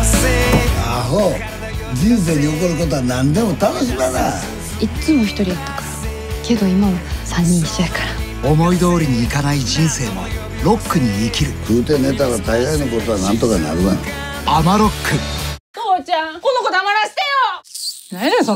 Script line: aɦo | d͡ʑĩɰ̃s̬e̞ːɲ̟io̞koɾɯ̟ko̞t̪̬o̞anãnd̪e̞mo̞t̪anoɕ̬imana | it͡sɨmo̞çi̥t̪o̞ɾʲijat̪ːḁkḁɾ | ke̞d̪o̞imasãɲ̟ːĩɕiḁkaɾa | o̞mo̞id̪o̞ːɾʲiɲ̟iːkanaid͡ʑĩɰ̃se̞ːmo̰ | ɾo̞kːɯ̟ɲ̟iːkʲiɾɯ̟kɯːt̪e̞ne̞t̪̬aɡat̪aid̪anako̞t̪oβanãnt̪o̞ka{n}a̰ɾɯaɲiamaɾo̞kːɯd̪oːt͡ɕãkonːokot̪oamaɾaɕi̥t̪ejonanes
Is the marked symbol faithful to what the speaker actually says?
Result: yes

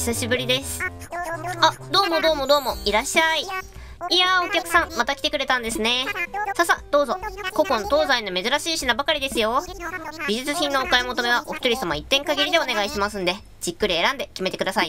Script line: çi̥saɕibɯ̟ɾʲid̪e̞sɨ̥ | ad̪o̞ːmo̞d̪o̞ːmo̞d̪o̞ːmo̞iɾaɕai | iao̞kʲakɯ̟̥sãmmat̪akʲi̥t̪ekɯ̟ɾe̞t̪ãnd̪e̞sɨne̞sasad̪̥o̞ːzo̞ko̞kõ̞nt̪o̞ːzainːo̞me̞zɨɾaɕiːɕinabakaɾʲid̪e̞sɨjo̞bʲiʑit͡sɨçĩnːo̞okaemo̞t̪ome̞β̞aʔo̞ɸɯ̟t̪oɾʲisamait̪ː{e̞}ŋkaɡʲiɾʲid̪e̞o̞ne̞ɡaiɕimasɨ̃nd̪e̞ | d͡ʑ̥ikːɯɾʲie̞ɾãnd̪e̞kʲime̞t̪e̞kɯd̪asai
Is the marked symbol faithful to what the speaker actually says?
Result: no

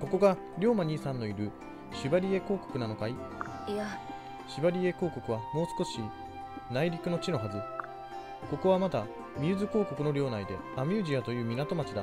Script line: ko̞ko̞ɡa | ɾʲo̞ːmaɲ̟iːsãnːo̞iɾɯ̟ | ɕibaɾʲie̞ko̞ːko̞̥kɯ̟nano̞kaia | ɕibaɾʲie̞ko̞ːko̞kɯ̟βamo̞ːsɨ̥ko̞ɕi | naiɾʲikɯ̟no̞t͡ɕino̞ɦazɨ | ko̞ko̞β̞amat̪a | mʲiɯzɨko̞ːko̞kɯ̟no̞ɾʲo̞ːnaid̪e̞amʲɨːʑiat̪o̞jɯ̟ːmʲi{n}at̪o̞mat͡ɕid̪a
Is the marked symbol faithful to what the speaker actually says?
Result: yes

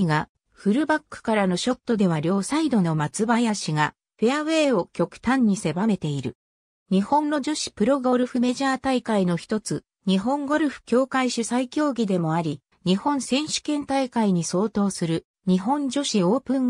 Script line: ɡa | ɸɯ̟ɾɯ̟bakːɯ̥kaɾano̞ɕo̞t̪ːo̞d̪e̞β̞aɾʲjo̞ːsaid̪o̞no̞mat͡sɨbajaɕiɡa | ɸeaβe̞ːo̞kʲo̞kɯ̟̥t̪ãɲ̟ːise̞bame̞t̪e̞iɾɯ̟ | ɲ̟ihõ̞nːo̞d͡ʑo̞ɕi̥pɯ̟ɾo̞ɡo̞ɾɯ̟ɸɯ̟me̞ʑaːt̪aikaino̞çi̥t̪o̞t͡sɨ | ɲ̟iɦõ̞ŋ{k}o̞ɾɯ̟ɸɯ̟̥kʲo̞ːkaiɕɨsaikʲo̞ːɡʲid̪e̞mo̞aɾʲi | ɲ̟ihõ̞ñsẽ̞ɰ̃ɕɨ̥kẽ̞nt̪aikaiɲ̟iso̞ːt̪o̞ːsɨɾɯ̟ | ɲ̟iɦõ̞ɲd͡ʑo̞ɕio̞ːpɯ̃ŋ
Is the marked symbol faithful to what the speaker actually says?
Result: no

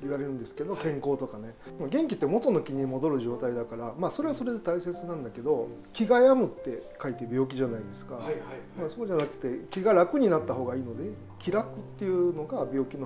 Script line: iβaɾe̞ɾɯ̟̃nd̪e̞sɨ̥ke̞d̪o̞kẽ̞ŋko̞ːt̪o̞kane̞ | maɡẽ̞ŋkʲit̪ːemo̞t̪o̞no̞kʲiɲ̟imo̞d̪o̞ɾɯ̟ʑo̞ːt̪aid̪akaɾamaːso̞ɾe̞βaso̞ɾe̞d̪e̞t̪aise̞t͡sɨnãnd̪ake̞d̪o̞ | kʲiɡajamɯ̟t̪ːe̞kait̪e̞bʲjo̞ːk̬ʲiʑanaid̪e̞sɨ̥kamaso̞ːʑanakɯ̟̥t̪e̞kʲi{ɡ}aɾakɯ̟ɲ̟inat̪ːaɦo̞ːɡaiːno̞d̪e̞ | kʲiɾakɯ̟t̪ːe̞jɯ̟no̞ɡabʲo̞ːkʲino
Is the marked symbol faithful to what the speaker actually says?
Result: yes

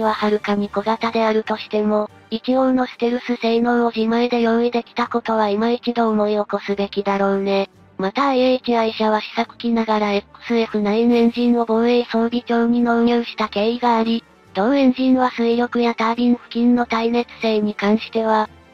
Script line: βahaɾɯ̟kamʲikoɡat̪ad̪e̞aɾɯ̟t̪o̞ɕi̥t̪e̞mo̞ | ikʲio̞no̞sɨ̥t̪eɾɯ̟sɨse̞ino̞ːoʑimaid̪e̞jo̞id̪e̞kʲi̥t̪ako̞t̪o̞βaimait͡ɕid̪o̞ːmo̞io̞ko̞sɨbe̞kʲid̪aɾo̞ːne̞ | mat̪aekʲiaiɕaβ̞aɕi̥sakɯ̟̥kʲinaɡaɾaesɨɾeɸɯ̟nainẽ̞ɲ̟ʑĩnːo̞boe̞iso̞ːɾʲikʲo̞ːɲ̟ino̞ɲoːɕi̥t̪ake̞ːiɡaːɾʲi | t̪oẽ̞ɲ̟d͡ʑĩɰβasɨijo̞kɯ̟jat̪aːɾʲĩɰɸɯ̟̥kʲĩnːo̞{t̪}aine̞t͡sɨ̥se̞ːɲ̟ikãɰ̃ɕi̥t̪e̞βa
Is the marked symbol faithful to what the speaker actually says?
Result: yes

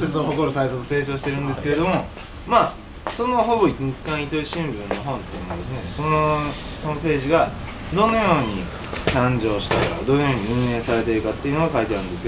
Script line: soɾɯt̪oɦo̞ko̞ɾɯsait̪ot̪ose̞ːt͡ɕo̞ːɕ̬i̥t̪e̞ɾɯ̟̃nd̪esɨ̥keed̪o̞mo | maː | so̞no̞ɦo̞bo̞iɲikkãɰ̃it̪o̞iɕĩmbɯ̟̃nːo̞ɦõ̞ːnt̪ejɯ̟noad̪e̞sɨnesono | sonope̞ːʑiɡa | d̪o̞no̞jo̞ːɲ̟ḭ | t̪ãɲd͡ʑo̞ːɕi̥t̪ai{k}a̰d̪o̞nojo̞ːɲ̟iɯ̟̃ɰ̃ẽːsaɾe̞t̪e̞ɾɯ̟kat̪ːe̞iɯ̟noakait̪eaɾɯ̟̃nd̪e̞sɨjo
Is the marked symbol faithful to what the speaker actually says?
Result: yes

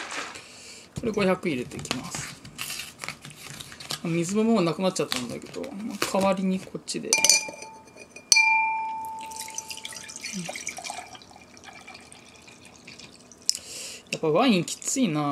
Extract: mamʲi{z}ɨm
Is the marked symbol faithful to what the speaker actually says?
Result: yes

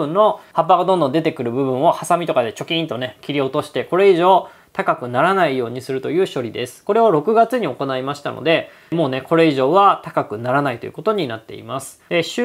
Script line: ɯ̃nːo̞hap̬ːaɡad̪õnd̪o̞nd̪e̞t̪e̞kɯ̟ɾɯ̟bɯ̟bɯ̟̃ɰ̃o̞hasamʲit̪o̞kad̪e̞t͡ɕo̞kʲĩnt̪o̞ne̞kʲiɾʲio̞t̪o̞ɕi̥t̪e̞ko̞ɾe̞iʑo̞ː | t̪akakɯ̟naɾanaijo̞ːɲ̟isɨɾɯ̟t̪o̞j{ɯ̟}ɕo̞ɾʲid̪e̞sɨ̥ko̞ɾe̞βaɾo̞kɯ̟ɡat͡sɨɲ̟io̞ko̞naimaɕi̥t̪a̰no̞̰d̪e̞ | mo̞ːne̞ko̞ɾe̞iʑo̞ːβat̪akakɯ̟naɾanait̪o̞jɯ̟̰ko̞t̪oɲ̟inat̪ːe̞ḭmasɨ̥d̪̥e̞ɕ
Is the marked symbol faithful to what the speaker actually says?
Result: no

